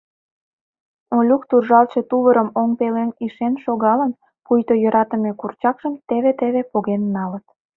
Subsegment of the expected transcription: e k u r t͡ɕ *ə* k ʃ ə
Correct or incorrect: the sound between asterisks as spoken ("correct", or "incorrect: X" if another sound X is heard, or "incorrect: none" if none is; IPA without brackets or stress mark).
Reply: incorrect: ɑ